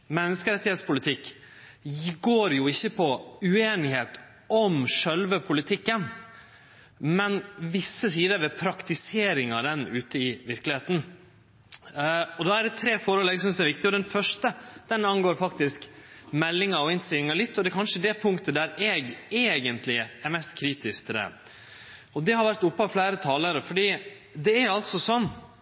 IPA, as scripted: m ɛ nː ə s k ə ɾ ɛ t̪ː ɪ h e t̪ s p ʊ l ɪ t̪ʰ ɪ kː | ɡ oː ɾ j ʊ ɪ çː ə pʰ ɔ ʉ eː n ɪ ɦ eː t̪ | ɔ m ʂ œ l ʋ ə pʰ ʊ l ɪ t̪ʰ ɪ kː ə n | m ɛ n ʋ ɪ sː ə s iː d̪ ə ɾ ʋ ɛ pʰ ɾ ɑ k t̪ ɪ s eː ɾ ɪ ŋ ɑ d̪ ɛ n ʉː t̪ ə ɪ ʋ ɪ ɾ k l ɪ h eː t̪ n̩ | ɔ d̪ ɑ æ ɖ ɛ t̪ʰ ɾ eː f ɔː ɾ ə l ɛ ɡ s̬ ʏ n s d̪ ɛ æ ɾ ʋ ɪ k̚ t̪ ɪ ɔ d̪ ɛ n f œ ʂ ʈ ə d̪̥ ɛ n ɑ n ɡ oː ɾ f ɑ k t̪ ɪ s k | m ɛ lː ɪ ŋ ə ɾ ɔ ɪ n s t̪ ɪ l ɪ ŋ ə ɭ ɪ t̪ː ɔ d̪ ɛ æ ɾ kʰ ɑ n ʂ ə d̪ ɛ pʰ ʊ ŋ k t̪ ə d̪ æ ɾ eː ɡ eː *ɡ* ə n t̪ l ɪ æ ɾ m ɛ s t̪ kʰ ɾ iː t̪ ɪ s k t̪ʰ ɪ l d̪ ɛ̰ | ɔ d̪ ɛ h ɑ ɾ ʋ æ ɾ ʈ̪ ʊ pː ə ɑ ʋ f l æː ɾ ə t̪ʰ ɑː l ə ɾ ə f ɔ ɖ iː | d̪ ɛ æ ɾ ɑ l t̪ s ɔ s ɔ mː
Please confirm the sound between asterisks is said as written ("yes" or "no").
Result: yes